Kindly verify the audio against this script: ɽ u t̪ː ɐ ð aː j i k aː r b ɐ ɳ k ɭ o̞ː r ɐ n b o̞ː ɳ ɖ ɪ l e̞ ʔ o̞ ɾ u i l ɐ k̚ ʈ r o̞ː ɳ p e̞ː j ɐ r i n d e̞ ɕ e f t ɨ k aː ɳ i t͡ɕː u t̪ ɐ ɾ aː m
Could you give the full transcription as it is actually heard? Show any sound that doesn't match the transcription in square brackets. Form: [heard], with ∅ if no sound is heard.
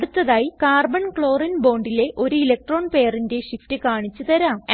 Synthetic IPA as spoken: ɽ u t̪ː ɐ ð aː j i k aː r b ɐ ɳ k ɭ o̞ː r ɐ n b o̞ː ɳ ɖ [i] l e̞ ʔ o̞ ɾ u i l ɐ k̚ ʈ r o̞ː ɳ p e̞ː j ɐ r i n d e̞ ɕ [i] f t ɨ k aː ɳ i t͡ɕː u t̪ ɐ ɾ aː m

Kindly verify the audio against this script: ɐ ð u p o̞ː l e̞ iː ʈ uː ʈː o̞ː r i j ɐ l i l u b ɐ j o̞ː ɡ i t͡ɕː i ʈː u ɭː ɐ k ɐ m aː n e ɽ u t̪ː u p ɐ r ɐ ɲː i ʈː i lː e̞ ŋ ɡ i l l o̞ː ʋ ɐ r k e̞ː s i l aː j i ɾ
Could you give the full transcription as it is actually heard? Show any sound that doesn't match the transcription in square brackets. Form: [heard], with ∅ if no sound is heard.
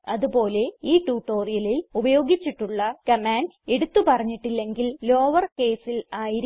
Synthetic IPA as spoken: ɐ ð u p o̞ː l e̞ iː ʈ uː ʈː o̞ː r i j ɐ l i l u b ɐ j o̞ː ɡ i t͡ɕː i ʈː u ɭː ɐ k ɐ m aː n e ɽ u t̪ː u p ɐ r ɐ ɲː i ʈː i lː e̞ ŋ ɡ i l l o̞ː ʋ ɐ r k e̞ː s i l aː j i ɾ

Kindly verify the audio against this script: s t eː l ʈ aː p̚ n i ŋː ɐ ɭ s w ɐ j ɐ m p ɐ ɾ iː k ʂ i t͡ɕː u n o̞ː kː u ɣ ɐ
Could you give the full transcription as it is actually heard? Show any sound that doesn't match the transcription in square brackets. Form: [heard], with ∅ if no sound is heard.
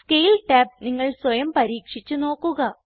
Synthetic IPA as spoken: s [k] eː l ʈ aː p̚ n i ŋː ɐ ɭ s w ɐ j ɐ m p ɐ ɾ iː k ʂ i t͡ɕː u n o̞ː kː u ɣ ɐ

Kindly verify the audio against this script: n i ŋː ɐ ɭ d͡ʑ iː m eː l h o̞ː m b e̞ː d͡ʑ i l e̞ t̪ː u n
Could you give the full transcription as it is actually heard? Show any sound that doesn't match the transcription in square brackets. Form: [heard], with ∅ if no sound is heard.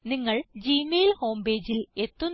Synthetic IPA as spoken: n i ŋː ɐ ɭ d͡ʑ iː m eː l h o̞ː m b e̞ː d͡ʑ i l e̞ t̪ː u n

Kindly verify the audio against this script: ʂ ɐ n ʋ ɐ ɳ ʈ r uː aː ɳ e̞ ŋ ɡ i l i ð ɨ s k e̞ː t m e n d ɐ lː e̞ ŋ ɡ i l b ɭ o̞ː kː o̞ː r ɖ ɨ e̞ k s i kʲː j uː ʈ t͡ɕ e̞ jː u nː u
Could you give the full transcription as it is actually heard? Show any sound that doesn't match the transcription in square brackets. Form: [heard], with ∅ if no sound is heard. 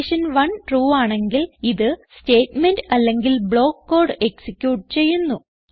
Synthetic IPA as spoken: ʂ ɐ n ʋ ɐ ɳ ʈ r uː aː ɳ e̞ ŋ ɡ i l i ð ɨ s [t] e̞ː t m e n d ɐ lː e̞ ŋ ɡ i l b ɭ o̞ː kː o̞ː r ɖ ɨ e̞ k s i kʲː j uː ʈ t͡ɕ e̞ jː u nː u

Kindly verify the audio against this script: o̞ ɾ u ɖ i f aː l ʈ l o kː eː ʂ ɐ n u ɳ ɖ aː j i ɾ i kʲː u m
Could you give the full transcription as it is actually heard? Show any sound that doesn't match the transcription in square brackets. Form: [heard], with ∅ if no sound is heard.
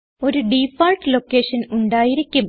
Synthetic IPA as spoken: o̞ ɾ u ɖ i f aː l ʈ l o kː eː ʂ ɐ n u ɳ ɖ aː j i ɾ i kʲː u m

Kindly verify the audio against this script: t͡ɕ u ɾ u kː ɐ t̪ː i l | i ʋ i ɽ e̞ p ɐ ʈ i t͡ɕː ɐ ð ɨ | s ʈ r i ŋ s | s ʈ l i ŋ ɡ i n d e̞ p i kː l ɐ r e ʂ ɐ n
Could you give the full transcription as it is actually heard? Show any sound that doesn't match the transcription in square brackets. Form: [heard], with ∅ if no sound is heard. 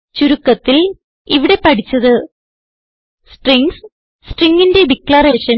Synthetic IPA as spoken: t͡ɕ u ɾ u kː ɐ t̪ː i l | i ʋ i ɽ e̞ p ɐ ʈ i t͡ɕː ɐ ð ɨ | s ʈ r i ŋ s | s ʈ [r] i ŋ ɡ i n d e̞ [b] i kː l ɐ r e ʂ ɐ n

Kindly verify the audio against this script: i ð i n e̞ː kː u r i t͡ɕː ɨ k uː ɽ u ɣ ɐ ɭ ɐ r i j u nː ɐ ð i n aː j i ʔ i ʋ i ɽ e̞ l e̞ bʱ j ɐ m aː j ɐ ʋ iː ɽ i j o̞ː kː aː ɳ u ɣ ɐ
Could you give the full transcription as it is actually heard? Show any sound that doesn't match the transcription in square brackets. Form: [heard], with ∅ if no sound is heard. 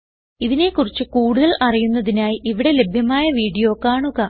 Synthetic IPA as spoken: i ð i n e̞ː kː u r i t͡ɕː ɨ k uː ɽ u [ð] ɐ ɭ ɐ r i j u nː ɐ ð i n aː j i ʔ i ʋ i ɽ e̞ l e̞ bʱ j ɐ m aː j ɐ ʋ iː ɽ i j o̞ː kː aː ɳ u ɣ ɐ

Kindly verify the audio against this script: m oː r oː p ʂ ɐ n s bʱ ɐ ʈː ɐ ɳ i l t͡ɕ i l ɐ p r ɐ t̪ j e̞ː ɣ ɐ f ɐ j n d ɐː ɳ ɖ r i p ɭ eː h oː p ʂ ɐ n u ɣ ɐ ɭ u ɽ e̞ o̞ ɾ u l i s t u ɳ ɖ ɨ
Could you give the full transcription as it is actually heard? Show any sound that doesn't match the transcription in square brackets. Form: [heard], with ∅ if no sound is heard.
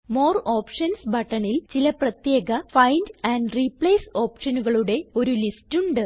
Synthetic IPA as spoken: m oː r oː p ʂ ɐ n s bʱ ɐ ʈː ɐ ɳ i l t͡ɕ i l ɐ p r ɐ t̪ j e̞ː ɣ ɐ f ɐ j n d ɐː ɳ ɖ r i p ɭ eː [s] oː p ʂ ɐ n u ɣ ɐ ɭ u ɽ e̞ o̞ ɾ u l i s t u ɳ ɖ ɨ

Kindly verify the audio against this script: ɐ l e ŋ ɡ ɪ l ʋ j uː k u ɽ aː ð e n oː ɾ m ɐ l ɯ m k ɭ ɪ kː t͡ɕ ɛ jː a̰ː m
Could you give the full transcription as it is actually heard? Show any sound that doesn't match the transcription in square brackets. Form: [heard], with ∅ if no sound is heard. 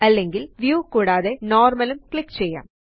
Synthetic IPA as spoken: ɐ [lː] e ŋ ɡ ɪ l ʋ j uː k [uː] ɽ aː ð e n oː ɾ m ɐ l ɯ m k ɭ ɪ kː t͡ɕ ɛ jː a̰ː m

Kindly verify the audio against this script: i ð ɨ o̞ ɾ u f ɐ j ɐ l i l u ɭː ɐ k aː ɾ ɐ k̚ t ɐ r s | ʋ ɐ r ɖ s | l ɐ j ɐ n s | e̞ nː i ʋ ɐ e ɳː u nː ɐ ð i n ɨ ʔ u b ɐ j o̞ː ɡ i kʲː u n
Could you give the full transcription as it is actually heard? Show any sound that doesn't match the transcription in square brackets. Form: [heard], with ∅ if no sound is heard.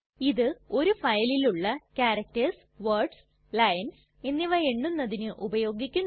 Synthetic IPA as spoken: i ð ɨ o̞ ɾ u f ɐ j ɐ l i l u ɭː ɐ k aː ɾ ɐ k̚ t ɐ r s | ʋ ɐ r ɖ s | l ɐ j ɐ n s | e̞ nː i ʋ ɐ e ɳː u nː ɐ ð i n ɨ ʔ u b ɐ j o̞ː ɡ i kʲː u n

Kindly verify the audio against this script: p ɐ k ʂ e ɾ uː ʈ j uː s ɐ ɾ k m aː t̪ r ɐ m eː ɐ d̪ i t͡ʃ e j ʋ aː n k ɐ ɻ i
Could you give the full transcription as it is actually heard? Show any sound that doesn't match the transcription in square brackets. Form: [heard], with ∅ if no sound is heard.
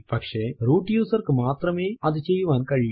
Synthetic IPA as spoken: p ɐ k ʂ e ɾ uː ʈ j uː s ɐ ɾ k m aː t̪ [ɾ] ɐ m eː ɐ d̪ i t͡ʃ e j ʋ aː n k ɐ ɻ i

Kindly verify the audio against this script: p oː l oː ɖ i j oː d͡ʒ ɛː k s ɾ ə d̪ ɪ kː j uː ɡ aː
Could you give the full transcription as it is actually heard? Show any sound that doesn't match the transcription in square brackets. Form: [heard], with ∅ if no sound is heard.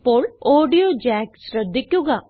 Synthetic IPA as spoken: p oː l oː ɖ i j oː d͡ʒ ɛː k s ɾ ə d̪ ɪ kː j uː ɡ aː

